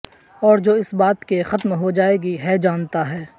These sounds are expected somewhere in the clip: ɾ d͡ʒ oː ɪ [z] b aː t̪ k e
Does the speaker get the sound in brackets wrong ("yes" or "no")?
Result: yes